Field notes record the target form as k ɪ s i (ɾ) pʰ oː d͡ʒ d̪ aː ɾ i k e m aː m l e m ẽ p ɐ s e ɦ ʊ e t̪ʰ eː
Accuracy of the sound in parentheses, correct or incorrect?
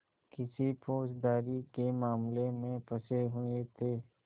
incorrect